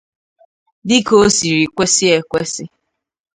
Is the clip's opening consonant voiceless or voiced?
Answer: voiced